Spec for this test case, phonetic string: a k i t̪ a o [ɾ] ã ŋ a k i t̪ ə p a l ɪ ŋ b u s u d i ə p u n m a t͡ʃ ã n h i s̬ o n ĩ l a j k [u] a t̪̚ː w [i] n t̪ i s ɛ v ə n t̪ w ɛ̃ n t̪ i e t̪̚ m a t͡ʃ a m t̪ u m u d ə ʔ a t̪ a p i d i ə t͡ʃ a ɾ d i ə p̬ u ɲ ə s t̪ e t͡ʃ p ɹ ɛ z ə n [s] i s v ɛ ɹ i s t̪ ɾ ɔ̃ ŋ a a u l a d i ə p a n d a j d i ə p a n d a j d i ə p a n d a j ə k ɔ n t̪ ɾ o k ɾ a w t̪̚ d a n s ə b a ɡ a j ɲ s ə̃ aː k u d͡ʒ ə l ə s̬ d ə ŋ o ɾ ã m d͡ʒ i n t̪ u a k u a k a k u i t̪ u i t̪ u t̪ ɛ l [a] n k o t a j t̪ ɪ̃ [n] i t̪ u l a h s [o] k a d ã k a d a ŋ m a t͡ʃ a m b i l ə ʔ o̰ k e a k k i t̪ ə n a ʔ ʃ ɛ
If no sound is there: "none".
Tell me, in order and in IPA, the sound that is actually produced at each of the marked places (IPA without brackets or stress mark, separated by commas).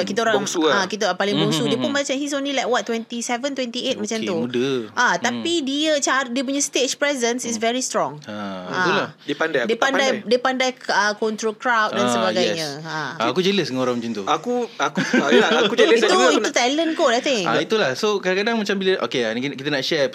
ɾ, w, ɛ, s, ə, ŋ, o